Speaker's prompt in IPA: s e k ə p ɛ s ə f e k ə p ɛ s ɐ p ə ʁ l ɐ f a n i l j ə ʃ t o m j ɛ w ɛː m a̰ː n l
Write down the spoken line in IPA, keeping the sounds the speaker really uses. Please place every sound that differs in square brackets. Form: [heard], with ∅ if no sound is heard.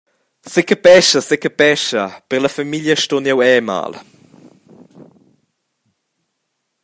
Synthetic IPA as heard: s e k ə p ɛ [ʃ] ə [s] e k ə p ɛ [ʃ] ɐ p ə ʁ l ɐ f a [m] i l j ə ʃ t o [n] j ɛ w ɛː m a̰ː [∅] l

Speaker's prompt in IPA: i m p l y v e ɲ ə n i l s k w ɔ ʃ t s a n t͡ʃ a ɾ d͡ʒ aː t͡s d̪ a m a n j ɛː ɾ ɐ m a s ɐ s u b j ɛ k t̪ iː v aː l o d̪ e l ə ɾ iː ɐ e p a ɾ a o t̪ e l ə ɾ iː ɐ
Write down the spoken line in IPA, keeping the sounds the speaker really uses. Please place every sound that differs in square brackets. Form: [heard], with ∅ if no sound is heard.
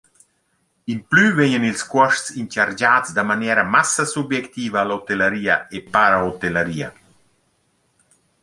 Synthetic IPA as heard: i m p l y v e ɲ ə n i l s k w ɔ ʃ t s [i] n t͡ʃ a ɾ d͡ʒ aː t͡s d̪ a m a n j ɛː ɾ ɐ m a s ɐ s u b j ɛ k t̪ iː v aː l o [t̪] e l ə ɾ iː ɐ e p a ɾ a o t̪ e l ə ɾ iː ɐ

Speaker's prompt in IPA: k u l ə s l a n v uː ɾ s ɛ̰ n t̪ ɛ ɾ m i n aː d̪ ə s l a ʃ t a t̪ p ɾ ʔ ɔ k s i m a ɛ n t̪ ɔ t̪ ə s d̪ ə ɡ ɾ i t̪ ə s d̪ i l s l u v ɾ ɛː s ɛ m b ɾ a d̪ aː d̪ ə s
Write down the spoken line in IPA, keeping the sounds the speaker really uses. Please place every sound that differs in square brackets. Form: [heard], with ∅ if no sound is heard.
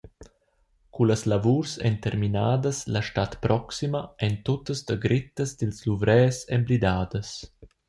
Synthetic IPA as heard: k u l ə s l a [∅] v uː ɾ s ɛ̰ n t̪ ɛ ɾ m i n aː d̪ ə s l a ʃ t a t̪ p ɾ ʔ ɔ k s i m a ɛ n t̪ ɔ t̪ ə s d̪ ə ɡ ɾ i t̪ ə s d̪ i l s l u v ɾ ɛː s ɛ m b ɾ [i] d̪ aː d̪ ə s

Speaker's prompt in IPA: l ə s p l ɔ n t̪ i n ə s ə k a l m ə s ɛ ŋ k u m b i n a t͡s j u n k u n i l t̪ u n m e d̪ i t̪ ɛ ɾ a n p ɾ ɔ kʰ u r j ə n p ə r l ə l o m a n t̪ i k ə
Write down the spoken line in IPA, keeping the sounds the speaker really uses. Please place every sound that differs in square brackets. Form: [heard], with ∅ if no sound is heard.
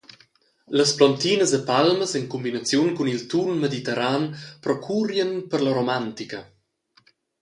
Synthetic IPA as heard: l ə s p l ɔ n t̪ i n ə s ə [p] a l m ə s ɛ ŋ k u m b i n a t͡s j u n k u n i l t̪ u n m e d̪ i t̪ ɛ ɾ a n p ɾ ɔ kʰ u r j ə n p ə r l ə [ɾ] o m a n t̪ i k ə

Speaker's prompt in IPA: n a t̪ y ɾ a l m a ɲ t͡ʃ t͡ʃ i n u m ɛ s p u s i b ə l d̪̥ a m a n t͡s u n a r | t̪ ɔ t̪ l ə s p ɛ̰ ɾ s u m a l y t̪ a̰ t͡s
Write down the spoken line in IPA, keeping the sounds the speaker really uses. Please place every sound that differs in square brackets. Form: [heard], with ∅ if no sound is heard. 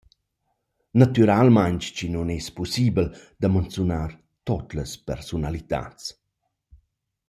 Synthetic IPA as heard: n a t̪ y ɾ a l m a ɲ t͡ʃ t͡ʃ i n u [n] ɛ s p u s i b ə l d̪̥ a m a n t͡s u n a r | t̪ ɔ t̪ l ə s p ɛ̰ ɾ s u [n] a l [i] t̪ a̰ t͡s

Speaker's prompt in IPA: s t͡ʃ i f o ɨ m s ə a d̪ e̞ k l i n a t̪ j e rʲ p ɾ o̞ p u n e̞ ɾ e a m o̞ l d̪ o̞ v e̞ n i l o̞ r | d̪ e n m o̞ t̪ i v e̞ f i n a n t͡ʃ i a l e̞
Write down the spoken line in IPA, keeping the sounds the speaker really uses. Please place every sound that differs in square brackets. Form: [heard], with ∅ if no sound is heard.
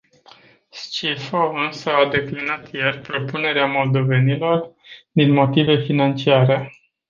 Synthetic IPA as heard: s t͡ʃ i f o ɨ [n] s ə a d̪ e̞ k l i n a t̪ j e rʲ p ɾ o̞ p u n e̞ ɾ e a m o̞ l d̪ o̞ v e̞ n i l o̞ r | d̪ [i] n m o̞ t̪ i v e̞ f i n a n t͡ʃ i a [ɾ] e̞

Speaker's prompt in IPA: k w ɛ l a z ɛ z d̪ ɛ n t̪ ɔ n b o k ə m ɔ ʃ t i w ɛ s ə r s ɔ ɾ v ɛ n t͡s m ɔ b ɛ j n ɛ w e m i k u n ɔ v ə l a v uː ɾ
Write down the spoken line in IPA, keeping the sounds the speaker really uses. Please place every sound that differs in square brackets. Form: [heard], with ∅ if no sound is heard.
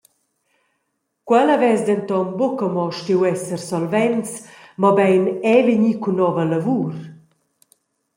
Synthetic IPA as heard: k w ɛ l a [v] ɛ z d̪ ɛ n t̪ ɔ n b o k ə m ɔ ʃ t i w ɛ s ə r s ɔ [l] v ɛ n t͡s m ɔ b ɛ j n ɛ [v] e [ɲ] i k u n ɔ v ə l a v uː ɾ

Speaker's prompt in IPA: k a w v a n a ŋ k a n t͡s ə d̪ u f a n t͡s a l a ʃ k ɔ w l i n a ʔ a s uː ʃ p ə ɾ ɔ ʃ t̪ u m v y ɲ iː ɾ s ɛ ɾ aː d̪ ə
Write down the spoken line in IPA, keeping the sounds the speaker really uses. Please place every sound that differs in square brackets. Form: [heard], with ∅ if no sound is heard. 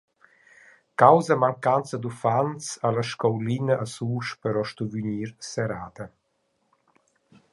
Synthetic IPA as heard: k a w [z] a [m] a ŋ k a n t͡s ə d̪ u f a n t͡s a l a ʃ k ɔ w l i n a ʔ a s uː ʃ p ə ɾ ɔ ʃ t̪ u [∅] v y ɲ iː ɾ s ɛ ɾ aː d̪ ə

